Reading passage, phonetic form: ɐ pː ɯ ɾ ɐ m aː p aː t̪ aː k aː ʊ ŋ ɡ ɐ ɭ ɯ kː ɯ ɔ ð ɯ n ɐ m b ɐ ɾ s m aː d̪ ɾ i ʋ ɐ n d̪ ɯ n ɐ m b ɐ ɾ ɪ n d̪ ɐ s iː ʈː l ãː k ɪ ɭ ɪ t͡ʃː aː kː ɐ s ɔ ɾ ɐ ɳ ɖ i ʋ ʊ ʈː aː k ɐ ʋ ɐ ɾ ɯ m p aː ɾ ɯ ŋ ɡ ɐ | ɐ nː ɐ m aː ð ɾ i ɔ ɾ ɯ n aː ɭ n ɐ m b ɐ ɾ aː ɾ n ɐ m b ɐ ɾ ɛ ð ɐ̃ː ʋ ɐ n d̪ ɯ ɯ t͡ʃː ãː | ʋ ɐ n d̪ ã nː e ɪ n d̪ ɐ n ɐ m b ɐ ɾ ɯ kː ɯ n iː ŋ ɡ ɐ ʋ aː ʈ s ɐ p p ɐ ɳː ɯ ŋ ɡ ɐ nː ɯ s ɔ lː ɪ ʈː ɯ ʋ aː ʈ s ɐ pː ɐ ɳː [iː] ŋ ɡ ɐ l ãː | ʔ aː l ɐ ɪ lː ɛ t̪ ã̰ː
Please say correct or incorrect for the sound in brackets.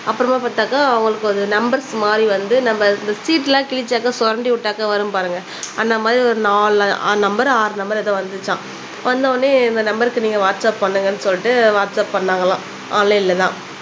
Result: incorrect